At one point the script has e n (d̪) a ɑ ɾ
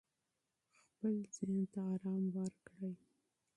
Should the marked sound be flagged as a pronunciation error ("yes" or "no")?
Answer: yes